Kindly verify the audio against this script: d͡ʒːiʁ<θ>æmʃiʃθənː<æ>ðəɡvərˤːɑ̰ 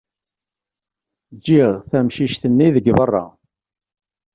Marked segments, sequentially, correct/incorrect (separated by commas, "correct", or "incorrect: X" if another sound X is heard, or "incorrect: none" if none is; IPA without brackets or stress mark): correct, incorrect: i